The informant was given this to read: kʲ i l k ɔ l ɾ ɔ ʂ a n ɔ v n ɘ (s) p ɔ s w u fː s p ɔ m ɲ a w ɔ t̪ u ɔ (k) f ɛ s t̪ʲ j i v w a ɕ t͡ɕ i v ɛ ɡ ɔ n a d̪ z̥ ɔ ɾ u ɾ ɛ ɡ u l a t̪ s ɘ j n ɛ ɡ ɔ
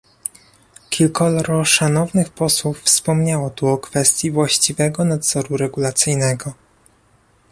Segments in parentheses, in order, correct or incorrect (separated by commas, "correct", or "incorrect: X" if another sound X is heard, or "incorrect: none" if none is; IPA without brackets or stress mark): incorrect: x, correct